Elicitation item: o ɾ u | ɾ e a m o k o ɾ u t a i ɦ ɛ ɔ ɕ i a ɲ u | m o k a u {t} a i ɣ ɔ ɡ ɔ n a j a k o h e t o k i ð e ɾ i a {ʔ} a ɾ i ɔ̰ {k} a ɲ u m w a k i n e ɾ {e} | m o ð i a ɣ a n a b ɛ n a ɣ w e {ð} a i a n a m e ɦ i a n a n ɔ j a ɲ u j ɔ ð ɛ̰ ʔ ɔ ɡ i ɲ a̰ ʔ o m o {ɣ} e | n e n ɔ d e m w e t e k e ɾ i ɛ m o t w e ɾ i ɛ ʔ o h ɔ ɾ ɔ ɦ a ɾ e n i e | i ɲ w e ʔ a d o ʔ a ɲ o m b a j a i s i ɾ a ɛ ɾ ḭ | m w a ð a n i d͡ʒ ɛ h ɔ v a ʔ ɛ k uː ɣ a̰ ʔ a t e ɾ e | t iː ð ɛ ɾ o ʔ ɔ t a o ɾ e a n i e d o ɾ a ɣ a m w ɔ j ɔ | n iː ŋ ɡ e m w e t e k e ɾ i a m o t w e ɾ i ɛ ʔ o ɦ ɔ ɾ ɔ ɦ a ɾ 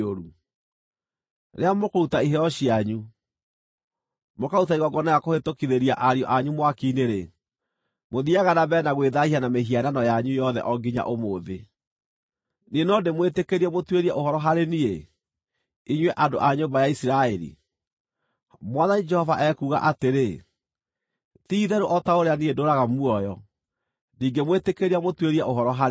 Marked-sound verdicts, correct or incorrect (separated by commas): correct, correct, incorrect, correct, correct, incorrect